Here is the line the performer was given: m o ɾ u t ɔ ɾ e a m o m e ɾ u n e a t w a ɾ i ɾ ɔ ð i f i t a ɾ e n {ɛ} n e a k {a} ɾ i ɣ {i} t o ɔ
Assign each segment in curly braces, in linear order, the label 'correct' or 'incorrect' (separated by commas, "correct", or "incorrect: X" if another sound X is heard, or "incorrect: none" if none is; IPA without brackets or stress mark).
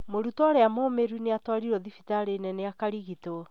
correct, correct, correct